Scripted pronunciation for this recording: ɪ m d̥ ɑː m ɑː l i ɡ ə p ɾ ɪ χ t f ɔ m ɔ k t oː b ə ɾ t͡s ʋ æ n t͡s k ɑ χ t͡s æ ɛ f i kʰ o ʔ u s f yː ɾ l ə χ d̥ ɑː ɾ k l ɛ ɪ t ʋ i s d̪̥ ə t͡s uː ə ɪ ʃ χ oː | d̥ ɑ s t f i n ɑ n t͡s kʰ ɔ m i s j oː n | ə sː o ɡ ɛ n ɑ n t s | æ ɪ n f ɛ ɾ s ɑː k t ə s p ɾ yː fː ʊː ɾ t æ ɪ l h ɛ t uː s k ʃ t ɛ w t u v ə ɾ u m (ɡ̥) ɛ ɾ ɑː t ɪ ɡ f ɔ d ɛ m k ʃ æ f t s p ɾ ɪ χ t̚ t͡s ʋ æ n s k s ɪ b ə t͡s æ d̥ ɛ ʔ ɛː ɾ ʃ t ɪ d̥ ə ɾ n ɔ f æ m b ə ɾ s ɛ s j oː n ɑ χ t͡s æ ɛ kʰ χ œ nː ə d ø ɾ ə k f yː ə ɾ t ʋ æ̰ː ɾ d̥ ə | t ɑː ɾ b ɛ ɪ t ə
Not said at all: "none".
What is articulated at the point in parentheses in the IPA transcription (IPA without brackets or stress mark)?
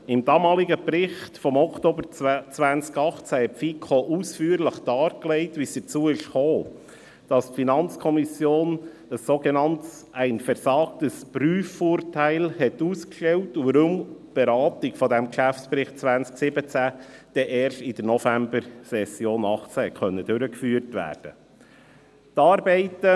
b̥